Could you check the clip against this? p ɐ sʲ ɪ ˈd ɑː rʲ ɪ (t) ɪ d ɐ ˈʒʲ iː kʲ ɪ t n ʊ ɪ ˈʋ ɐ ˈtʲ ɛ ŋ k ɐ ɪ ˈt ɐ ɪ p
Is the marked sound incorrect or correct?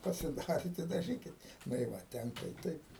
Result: correct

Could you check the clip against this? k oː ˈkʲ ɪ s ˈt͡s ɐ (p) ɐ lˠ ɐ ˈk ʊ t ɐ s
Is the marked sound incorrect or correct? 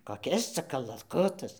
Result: incorrect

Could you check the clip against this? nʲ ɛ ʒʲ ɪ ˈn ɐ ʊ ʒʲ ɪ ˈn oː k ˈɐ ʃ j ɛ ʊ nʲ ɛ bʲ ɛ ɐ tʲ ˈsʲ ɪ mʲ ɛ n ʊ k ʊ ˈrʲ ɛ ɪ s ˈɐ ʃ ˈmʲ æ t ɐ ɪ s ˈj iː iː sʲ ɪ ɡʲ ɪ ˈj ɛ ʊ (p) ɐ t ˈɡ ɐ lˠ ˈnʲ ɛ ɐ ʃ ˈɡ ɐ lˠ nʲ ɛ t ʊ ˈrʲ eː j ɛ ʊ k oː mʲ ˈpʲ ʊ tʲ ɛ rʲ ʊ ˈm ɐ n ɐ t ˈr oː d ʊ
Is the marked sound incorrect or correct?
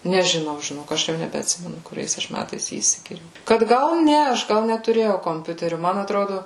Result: incorrect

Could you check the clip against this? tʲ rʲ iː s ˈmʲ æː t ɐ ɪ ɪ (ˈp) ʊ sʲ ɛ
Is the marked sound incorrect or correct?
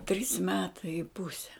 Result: correct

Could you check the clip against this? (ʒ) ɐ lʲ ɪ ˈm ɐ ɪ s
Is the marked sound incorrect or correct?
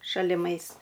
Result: incorrect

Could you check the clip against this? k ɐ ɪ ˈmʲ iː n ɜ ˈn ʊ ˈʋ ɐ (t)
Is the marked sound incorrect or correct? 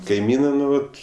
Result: correct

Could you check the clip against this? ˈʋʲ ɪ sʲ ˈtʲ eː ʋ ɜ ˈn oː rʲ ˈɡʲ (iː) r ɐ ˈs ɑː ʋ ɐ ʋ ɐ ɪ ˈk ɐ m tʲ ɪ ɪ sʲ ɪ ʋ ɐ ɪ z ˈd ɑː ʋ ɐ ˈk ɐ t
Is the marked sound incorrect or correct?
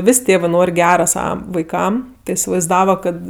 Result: incorrect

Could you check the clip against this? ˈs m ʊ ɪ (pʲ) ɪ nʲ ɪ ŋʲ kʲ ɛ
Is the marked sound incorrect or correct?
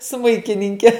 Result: incorrect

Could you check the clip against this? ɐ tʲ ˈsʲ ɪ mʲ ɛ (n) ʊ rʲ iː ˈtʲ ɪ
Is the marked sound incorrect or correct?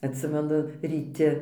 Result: correct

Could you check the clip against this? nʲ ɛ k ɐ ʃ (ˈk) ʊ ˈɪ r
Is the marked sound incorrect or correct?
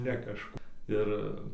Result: correct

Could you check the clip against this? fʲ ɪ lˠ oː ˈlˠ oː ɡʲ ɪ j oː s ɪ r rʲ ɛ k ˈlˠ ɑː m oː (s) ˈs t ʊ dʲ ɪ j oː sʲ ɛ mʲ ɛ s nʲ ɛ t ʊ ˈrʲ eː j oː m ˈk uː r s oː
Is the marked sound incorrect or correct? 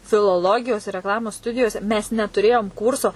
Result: correct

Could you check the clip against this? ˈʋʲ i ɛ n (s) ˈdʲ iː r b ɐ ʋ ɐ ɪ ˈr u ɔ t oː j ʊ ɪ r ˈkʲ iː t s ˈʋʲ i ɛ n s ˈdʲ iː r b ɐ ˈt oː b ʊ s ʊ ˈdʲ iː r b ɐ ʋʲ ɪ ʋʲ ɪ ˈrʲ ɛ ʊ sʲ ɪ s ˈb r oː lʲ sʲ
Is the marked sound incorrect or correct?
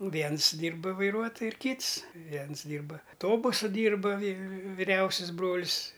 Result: correct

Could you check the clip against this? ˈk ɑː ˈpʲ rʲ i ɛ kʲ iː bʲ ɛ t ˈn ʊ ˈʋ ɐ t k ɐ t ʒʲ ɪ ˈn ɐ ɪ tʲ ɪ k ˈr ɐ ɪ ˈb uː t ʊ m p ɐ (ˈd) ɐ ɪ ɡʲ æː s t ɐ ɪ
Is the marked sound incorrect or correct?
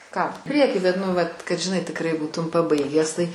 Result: incorrect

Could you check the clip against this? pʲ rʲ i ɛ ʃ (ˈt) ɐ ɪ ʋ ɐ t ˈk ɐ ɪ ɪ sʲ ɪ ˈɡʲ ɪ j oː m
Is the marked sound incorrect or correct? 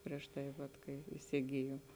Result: correct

